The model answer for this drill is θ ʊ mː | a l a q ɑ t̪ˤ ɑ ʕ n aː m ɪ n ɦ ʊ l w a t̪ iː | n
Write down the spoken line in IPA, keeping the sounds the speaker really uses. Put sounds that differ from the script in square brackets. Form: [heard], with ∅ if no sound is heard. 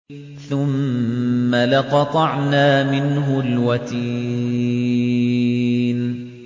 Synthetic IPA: θ ʊ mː | a l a q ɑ t̪ˤ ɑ ʕ n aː m ɪ n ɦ ʊ l w a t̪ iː | n

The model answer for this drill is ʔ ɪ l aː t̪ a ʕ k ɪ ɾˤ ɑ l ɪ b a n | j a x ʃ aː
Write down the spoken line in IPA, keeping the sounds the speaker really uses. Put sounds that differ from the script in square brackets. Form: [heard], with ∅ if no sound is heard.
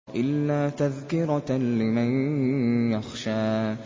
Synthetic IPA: ʔ ɪ [lː] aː t̪ a [ð] k ɪ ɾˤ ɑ l ɪ [m] a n | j a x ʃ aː

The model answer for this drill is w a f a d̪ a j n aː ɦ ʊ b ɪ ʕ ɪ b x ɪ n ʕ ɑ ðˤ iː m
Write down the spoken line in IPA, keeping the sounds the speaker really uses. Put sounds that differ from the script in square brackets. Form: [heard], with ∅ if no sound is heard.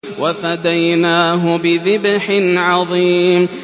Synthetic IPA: w a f a d̪ a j n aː ɦ ʊ b ɪ [ð] ɪ b [ħ] ɪ n ʕ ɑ ðˤ iː m

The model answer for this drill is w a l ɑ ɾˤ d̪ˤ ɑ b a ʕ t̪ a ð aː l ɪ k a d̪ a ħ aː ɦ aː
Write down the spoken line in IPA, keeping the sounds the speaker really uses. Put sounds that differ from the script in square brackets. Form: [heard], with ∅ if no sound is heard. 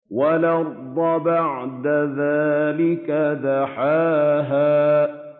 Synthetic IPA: w a l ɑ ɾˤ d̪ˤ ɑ b a ʕ [d̪] a ð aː l ɪ k a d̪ a ħ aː ɦ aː

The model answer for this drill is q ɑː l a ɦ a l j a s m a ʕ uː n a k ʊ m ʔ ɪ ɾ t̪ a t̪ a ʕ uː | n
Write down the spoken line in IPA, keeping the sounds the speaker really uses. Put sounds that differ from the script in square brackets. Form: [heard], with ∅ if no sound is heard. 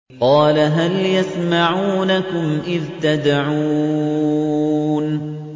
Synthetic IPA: q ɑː l a ɦ a l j a s m a ʕ uː n a k ʊ m ʔ ɪ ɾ t̪ a [d̪] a ʕ uː | n

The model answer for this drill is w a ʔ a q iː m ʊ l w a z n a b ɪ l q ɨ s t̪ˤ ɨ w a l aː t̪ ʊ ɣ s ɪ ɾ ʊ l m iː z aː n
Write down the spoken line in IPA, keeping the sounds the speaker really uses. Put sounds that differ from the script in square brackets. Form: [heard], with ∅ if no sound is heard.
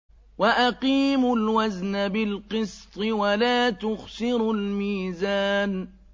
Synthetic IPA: w a ʔ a q iː m ʊ l w a z n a b ɪ l q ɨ s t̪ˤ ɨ w a l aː t̪ ʊ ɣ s ɪ ɾ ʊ l m iː z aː n

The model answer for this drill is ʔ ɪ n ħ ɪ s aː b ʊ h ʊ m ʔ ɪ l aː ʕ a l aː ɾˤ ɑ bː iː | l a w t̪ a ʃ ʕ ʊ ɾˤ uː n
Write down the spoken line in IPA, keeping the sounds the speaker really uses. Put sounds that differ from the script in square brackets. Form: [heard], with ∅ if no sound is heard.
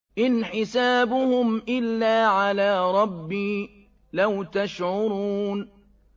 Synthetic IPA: ʔ ɪ n ħ ɪ s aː b ʊ h ʊ m ʔ ɪ [lː] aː ʕ a l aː ɾˤ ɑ bː iː | l a w t̪ a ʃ ʕ ʊ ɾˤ uː n

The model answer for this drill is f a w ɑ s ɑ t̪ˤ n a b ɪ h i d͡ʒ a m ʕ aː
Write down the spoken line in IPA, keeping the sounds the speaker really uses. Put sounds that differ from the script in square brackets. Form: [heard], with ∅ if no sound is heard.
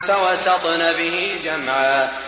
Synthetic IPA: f a w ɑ s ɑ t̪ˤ n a b ɪ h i d͡ʒ a m ʕ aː

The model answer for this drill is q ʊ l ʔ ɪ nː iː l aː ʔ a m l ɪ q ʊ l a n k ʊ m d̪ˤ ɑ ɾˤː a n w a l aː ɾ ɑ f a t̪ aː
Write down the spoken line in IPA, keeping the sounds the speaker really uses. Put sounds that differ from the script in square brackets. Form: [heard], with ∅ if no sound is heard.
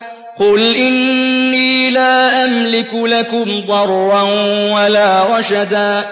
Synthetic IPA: q ʊ l ʔ ɪ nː iː l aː ʔ a m l ɪ [k] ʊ l a [∅] k ʊ m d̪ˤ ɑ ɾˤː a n w a l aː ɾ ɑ [ʃ] a [d̪] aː

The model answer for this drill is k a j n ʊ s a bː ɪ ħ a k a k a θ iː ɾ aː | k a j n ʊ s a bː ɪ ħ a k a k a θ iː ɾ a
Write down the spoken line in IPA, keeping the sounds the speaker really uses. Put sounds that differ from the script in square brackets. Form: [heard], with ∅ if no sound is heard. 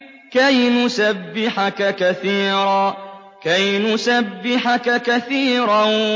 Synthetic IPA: k a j n ʊ s a bː ɪ ħ a k a k a θ iː ɾ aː | k a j n ʊ s a bː ɪ ħ a k a k a θ iː ɾ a

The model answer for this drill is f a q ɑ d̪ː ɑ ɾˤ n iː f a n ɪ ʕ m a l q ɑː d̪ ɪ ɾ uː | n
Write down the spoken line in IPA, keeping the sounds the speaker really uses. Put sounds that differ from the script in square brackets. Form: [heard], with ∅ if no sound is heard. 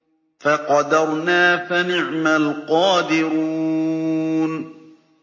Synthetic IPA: f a q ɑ [d̪] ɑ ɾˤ n [aː] f a n ɪ ʕ m a l q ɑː d̪ ɪ ɾ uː | n

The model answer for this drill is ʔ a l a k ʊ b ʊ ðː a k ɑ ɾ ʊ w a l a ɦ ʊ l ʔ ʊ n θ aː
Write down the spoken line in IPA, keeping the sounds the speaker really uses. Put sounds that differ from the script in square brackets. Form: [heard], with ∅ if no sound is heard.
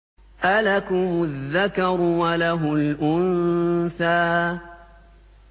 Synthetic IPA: ʔ a l a k ʊ [m] ʊ ðː a k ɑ ɾ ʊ w a l a ɦ ʊ l ʔ ʊ n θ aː

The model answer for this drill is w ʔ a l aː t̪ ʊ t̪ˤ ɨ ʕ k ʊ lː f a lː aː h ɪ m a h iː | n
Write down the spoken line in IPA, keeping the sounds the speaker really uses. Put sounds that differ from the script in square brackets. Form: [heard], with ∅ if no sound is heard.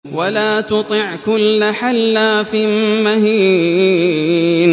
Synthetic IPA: w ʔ a l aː t̪ ʊ t̪ˤ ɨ ʕ k ʊ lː [ħ] a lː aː [f] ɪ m a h iː | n

